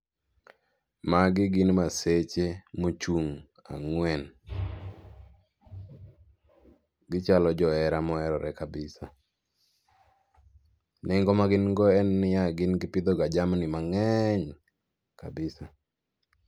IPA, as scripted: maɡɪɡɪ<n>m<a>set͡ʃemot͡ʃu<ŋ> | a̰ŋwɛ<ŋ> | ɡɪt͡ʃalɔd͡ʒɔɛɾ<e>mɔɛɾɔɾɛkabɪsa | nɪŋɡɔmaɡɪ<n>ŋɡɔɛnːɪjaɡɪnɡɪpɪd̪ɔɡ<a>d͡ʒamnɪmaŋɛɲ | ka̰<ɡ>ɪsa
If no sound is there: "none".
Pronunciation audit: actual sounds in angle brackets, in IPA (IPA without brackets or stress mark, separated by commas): n, a, ŋ, n, a, n, a, b